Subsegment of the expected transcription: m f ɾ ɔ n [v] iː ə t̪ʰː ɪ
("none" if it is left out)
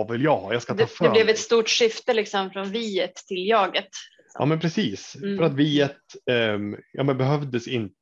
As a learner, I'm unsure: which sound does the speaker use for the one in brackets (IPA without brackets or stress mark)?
v